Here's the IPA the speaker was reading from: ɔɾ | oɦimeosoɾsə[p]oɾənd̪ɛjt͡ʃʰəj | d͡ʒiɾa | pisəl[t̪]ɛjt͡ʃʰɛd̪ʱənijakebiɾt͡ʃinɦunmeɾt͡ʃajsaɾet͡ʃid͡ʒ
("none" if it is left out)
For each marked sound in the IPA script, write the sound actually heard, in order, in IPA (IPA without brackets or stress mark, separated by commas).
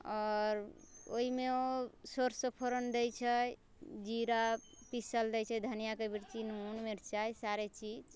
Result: pʰ, d̪